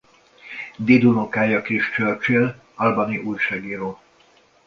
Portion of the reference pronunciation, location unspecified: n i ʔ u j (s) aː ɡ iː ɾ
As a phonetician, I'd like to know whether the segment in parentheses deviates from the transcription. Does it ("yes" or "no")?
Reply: yes